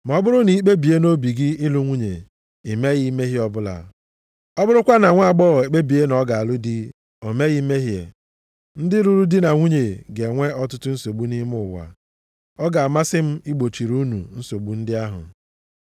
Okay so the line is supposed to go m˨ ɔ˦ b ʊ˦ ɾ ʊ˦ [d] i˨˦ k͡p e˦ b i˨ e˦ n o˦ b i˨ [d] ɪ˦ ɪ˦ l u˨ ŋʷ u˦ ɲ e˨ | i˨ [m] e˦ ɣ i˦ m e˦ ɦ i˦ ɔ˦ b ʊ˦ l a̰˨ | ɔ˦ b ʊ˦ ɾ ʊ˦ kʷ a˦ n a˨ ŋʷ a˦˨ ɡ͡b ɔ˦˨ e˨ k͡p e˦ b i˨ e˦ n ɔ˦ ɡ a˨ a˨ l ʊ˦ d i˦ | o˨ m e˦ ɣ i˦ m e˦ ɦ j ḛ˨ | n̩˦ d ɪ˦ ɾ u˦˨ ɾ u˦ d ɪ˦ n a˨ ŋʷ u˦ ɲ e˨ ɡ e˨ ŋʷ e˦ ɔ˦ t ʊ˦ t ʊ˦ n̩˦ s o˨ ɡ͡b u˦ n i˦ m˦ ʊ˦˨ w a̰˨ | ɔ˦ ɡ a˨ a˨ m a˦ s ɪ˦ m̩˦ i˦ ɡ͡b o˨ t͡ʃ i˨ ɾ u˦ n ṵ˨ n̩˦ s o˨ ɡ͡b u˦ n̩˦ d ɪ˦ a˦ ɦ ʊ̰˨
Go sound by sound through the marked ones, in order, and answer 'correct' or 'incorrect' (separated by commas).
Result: incorrect, incorrect, correct